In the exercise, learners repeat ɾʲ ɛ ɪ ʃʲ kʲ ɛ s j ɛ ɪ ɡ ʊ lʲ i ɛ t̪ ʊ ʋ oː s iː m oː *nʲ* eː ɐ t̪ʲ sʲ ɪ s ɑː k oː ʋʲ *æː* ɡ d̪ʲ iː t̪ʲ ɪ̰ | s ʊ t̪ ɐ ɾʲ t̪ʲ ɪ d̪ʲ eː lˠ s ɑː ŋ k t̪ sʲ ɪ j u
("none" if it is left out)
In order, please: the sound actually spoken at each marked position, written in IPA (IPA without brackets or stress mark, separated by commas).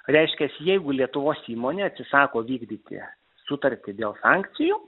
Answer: nʲ, iː